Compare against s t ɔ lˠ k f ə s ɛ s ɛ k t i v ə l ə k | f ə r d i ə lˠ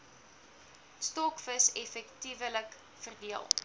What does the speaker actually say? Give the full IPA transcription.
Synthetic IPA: s t ɔ k f ə s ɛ f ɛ k t i v ə l ə k | f ə r d i ə lˠ